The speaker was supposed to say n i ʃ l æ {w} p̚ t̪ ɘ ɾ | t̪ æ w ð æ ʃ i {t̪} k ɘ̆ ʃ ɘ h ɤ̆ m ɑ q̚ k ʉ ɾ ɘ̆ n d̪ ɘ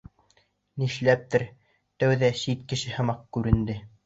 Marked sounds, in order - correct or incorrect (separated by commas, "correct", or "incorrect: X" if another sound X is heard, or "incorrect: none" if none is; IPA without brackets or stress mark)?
incorrect: none, correct